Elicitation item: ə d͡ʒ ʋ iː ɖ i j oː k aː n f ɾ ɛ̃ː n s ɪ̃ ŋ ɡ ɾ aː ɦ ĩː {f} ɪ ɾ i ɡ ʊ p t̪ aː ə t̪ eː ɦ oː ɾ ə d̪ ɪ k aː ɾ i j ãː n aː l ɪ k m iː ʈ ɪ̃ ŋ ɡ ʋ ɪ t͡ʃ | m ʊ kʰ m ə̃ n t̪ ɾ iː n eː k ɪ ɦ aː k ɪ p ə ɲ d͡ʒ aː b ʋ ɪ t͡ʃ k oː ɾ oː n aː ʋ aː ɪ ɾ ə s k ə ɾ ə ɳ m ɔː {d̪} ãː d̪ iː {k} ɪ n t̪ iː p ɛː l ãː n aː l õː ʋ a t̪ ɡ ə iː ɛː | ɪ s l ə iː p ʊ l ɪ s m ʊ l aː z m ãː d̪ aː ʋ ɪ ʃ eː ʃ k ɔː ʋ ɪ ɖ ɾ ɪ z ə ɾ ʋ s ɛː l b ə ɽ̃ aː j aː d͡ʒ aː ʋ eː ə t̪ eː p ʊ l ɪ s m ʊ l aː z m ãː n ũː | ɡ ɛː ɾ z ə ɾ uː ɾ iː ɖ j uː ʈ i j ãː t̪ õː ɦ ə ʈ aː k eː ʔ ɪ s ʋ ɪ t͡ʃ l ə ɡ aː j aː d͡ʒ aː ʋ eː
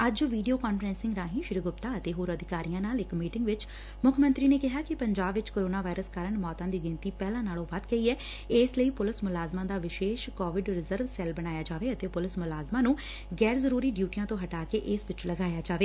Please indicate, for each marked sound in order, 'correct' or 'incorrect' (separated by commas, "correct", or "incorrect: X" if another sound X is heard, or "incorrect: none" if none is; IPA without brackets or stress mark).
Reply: incorrect: ʃ, incorrect: t̪, incorrect: ɡ